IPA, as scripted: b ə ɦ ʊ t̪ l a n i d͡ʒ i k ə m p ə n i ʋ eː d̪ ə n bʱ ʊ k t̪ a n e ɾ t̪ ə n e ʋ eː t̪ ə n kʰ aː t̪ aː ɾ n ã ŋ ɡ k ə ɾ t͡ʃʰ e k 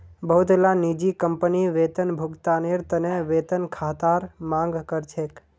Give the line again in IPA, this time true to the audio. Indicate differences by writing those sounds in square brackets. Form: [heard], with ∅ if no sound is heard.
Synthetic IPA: b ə ɦ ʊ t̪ l a n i d͡ʒ i k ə m p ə n i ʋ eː [t̪] ə n bʱ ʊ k t̪ a n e ɾ t̪ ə n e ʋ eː t̪ ə n kʰ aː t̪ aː ɾ [m] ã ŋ ɡ k ə ɾ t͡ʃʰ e k